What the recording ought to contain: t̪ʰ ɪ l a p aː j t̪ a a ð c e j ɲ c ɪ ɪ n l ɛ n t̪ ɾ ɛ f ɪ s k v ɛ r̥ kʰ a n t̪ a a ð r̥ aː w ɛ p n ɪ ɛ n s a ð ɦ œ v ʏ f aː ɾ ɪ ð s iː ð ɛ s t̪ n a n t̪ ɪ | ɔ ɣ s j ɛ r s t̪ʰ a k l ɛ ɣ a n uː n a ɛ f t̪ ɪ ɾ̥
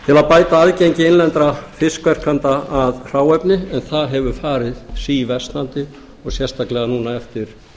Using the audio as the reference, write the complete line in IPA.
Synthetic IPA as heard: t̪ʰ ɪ l a p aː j t̪ a a ð c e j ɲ c ɪ ɪ n l ɛ n t̪ ɾ a f ɪ s k v ɛ r̥ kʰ a n t̪ a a ð r̥ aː w ɛ p n ɪ ɛ n θ a ð ɦ ɛ v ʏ f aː ɾ ɪ ð s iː v ɛ s t̪ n a n t̪ ɪ | ɔ ɣ s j ɛ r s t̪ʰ a k l ɛ ɣ a n uː n a ɛ f t̪ ɪ ɾ̥